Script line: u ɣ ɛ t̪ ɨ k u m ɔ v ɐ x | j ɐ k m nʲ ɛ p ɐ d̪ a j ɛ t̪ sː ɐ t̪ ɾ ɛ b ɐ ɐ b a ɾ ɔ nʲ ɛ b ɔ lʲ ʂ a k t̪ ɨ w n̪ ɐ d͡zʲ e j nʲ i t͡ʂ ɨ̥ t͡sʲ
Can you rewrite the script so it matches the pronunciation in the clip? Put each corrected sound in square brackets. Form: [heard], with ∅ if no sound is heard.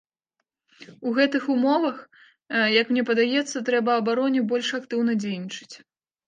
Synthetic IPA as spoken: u ɣ ɛ t̪ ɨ [x] u m ɔ v ɐ x | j ɐ k m nʲ ɛ p ɐ d̪ a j ɛ t̪ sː ɐ t̪ ɾ ɛ b ɐ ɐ b a ɾ ɔ nʲ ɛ b ɔ lʲ ʂ a k t̪ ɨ w n̪ ɐ d͡zʲ e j nʲ i t͡ʂ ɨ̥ t͡sʲ